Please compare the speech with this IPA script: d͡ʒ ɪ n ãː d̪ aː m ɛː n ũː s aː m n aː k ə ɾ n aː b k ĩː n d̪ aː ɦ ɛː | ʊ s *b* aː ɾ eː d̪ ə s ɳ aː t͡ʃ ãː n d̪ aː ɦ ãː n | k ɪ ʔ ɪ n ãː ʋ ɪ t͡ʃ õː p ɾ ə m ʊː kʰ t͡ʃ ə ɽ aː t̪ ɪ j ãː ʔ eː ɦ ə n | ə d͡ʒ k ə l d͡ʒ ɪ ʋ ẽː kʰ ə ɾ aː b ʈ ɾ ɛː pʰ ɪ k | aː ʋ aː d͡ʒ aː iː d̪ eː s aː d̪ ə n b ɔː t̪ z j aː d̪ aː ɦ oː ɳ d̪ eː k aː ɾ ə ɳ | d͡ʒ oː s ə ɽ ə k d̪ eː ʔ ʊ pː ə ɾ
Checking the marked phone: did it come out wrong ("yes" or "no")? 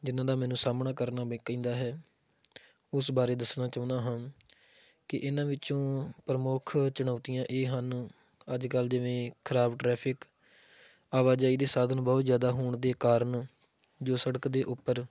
no